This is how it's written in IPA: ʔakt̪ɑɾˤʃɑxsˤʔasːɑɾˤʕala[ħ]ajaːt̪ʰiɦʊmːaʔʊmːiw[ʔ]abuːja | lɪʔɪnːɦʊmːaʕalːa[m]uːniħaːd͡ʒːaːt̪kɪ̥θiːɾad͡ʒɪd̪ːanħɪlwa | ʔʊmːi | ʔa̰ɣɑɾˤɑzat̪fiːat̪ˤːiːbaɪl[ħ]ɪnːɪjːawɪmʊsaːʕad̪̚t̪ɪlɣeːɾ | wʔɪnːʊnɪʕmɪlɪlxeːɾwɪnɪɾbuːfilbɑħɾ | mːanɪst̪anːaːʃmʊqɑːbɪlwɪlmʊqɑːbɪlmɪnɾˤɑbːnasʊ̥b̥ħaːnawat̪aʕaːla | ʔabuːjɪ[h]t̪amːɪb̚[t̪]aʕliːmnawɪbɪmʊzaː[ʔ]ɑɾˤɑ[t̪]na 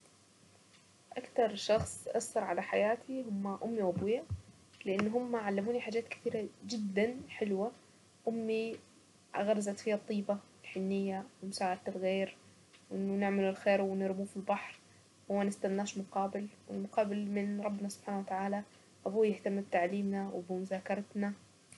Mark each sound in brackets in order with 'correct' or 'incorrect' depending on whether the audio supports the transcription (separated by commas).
correct, correct, correct, correct, correct, correct, incorrect, correct